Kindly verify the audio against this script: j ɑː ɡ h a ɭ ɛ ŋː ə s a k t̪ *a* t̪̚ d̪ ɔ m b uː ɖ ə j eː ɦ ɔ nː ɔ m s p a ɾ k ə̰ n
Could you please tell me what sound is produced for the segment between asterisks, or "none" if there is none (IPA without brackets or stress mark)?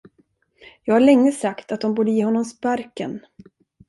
a